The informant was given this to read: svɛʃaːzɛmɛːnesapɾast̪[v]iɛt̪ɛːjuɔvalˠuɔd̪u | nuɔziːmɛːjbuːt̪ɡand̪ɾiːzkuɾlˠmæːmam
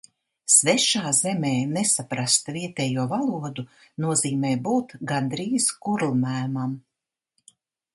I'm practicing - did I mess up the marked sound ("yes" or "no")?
no